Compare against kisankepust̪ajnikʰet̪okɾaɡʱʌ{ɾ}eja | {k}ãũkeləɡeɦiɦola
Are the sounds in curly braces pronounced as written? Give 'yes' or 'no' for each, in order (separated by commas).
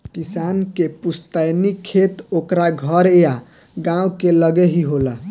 yes, no